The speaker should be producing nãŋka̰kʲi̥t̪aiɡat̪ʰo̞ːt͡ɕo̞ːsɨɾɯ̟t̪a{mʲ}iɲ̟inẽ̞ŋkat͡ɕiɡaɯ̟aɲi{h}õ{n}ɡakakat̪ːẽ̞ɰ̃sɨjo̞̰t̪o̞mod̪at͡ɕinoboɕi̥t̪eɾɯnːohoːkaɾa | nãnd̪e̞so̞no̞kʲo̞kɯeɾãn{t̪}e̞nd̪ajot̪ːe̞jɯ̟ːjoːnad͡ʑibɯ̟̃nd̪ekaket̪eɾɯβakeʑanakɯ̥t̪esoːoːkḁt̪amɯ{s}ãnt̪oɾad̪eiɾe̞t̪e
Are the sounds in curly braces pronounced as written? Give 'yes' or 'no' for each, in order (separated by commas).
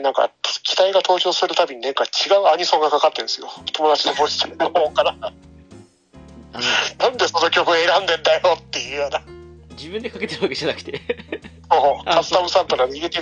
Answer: no, no, no, no, yes